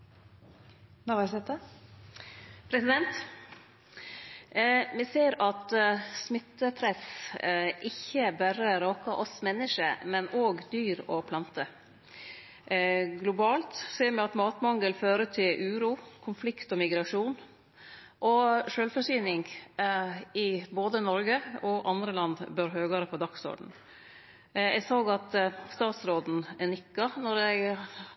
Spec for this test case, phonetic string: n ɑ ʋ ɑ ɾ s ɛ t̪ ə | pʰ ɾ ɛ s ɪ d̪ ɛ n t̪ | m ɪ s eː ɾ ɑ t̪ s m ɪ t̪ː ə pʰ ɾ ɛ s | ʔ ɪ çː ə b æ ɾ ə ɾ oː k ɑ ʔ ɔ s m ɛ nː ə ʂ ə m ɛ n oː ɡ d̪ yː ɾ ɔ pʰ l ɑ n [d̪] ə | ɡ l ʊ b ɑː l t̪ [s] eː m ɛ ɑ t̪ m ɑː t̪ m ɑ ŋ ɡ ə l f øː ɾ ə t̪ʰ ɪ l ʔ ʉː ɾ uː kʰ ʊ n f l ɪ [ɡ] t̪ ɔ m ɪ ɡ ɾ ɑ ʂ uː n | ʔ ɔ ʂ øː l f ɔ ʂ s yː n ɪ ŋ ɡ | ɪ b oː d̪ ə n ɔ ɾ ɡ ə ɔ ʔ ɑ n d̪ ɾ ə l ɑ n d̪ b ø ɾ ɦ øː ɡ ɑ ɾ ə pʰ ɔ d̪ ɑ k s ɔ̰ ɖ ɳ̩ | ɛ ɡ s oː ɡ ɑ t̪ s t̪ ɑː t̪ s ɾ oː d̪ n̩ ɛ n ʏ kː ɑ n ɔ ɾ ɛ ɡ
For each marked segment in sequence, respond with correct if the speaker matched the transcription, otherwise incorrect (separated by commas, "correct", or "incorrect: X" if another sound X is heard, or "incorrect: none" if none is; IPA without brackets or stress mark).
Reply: incorrect: t̪, correct, incorrect: k